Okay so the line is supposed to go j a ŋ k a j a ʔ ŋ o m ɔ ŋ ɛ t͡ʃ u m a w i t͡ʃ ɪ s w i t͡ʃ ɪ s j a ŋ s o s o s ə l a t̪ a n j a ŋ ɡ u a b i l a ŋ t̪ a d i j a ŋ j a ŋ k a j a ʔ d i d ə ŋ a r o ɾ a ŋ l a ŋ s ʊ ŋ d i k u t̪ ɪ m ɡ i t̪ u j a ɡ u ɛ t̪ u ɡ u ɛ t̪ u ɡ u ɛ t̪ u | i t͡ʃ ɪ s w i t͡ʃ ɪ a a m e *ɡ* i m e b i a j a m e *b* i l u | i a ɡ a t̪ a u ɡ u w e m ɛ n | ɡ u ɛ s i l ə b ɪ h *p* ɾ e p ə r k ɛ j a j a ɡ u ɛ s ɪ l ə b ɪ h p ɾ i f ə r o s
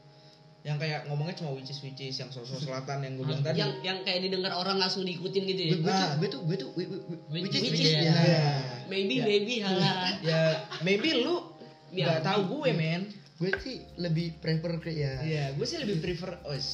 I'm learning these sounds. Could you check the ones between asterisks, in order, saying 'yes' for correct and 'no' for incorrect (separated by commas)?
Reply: no, yes, yes